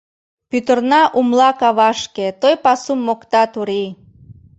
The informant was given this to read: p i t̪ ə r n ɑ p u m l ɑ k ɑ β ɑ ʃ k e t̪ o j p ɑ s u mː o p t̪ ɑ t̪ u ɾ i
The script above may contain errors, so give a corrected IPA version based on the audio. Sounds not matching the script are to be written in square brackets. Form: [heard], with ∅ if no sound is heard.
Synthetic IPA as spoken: p [y] t̪ ə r n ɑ [ʔ] u m l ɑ k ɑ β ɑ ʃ k e t̪ o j p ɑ s u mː o [k] t̪ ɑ t̪ u ɾ i